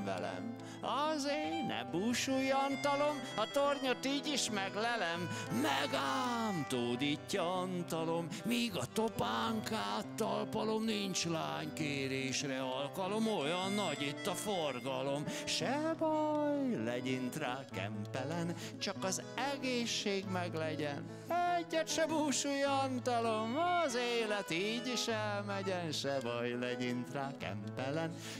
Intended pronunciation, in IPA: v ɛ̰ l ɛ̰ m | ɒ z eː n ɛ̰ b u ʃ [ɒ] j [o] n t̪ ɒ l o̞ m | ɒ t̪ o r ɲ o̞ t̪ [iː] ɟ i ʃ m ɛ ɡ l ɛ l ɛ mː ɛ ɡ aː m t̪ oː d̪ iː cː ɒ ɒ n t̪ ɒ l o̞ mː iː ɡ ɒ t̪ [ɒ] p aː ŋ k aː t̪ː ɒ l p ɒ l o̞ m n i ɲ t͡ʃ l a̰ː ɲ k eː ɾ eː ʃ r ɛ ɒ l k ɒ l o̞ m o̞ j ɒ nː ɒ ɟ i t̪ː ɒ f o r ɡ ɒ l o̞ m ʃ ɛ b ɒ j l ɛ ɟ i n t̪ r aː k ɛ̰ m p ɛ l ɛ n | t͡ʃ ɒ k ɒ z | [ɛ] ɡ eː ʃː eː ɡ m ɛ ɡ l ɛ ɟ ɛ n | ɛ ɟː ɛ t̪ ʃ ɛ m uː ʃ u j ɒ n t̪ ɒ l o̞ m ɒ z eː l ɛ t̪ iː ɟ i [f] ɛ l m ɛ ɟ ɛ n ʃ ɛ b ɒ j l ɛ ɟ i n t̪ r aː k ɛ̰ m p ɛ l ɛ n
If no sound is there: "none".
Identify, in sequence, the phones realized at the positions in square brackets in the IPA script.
u, ɒ, iː, o, ɛ, ʃ

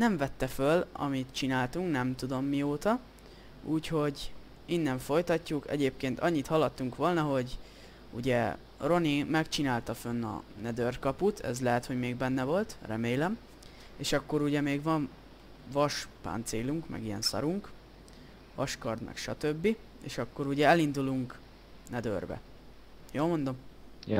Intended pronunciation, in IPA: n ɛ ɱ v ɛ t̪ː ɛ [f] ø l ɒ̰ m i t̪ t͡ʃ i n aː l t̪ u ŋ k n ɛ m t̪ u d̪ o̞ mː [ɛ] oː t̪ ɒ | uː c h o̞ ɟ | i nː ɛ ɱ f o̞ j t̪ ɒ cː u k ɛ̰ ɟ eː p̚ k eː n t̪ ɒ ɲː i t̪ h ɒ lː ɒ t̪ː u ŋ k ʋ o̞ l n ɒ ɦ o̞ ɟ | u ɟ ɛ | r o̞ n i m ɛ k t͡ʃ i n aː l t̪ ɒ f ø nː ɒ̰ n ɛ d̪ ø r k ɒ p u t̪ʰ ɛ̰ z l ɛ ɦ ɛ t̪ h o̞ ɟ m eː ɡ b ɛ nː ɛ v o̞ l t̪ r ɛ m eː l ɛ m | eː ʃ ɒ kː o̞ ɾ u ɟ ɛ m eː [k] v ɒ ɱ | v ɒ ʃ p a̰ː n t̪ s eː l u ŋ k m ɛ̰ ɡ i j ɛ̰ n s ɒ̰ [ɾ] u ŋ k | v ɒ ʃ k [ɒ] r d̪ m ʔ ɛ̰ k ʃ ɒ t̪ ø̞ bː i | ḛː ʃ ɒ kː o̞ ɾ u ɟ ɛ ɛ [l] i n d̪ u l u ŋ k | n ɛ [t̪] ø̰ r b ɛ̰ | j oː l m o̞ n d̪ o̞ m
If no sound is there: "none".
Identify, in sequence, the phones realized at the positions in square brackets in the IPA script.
f, i, ɡ, ɾ, ɒ, l, d̪

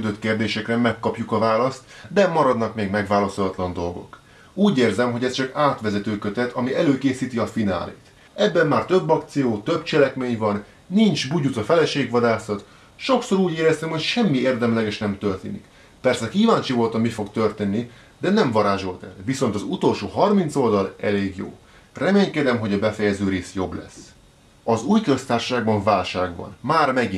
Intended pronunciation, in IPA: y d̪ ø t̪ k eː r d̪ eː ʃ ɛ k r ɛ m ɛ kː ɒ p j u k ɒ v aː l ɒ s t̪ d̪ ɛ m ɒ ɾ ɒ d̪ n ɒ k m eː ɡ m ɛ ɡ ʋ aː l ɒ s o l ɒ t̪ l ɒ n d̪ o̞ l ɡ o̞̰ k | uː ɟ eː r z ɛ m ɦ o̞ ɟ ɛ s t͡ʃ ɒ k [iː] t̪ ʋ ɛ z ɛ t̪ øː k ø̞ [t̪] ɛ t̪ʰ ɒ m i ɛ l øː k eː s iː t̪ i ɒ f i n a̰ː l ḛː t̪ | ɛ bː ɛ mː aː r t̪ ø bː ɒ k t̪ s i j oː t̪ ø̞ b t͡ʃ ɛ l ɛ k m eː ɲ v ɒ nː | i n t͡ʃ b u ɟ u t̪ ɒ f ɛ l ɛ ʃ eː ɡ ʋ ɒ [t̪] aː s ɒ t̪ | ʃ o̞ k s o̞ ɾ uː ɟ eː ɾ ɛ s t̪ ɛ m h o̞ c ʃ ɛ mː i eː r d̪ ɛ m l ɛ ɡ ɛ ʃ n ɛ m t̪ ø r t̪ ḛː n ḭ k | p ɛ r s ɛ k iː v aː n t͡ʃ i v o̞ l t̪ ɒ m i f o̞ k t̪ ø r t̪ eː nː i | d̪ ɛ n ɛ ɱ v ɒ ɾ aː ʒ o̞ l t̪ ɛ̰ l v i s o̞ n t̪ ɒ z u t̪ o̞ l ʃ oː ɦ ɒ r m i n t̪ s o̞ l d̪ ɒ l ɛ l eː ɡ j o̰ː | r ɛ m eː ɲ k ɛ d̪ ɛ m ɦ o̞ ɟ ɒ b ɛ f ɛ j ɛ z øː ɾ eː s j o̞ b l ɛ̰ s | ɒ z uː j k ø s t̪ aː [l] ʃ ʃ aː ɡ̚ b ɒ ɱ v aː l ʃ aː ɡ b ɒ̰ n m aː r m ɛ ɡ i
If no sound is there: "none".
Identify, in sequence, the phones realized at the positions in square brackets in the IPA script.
aː, t̪, d̪, r

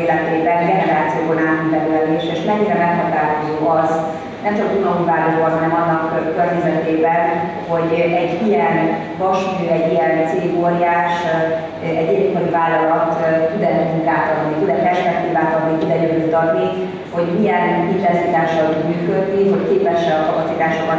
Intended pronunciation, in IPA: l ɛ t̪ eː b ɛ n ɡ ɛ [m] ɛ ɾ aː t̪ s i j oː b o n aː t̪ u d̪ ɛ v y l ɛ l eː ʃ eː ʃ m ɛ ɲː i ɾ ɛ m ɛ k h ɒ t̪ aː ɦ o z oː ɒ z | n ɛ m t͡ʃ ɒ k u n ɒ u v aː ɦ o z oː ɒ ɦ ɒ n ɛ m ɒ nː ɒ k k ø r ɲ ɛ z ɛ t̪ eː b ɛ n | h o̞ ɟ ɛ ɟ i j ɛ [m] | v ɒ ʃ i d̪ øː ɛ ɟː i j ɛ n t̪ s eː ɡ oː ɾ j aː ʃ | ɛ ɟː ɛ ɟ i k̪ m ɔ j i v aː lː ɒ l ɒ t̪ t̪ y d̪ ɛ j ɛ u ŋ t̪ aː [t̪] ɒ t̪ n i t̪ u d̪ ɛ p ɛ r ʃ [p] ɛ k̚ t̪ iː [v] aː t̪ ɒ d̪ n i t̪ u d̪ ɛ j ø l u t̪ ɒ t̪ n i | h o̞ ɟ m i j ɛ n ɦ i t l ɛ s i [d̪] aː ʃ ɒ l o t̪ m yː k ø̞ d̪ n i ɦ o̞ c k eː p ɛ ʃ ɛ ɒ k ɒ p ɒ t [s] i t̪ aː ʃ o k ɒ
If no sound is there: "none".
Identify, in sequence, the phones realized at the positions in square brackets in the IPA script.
n, n, t̪, p, v, t̪, s

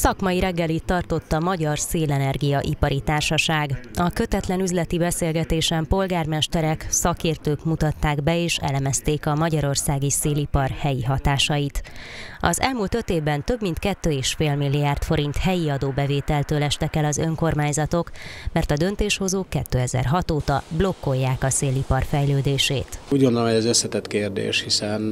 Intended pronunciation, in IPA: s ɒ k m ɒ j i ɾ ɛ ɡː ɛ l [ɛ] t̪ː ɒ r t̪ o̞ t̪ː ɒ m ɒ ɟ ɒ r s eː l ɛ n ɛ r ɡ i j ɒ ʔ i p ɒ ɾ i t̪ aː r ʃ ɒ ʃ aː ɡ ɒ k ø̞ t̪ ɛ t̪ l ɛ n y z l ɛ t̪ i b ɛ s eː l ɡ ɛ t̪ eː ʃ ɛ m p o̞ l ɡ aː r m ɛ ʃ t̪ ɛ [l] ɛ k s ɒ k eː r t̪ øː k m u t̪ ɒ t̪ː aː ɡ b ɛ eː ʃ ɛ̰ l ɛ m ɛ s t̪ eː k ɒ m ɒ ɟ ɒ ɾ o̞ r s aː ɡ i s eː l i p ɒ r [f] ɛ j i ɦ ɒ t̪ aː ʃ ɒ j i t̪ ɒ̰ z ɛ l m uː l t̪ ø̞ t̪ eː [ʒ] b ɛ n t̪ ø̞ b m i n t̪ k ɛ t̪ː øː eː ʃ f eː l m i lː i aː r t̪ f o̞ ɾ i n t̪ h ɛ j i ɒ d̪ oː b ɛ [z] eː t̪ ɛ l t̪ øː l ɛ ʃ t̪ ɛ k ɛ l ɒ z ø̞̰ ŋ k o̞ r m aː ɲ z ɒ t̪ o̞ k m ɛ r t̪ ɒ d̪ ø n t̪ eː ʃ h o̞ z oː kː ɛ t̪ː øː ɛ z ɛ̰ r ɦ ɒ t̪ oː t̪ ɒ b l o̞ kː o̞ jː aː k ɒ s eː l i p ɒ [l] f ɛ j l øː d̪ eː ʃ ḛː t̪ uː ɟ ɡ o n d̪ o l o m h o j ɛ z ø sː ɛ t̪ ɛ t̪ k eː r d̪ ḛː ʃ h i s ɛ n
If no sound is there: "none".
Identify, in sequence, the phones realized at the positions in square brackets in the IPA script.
i, ɾ, h, v, v, r

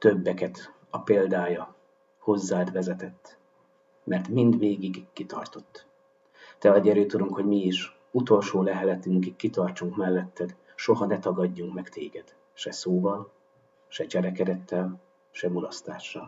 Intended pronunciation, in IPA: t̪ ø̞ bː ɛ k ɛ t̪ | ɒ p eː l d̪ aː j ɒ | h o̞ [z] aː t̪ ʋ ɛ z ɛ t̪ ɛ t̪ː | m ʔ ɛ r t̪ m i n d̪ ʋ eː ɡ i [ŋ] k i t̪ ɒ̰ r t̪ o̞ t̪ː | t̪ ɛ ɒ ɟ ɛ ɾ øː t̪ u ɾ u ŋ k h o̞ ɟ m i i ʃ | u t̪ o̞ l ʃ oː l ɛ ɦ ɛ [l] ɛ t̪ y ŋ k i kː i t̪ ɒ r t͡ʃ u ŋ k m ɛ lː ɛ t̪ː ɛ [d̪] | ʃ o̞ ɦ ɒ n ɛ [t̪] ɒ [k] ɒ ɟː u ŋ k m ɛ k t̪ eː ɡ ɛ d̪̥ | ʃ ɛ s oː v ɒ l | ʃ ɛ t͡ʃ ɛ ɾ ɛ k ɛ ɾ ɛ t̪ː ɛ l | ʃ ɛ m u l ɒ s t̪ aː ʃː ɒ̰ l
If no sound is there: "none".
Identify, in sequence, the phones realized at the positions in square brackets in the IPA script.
zː, ɡ, l, d̪, t̪, ɡ

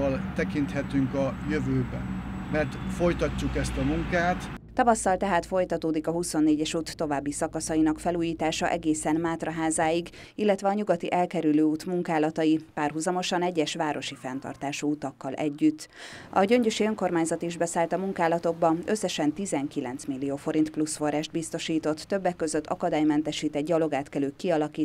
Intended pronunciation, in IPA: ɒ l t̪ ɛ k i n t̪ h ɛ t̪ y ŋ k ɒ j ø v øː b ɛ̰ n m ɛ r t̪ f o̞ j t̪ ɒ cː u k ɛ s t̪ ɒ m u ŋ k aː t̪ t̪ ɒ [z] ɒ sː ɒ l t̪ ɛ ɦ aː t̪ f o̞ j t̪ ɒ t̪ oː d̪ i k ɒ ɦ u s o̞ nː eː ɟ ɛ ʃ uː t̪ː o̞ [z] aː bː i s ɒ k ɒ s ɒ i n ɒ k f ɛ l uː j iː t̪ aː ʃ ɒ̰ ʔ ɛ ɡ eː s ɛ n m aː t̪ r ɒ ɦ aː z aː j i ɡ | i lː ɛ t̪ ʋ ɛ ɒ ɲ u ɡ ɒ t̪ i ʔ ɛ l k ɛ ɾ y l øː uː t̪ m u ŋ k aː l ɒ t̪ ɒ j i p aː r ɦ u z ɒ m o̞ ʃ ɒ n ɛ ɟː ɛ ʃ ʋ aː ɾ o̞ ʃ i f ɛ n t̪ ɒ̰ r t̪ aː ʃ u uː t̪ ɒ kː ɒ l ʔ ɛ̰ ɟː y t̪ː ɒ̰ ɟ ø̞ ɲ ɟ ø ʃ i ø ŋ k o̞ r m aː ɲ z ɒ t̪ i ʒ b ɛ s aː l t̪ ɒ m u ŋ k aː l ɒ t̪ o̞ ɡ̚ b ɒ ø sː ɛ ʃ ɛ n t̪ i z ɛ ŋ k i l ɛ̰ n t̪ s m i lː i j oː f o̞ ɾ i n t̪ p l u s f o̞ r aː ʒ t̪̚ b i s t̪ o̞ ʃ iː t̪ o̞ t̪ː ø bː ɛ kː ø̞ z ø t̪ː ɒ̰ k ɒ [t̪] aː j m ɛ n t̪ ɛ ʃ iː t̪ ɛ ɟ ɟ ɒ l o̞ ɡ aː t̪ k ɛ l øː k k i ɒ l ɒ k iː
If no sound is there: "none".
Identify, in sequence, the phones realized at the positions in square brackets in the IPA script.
v, v, d̪

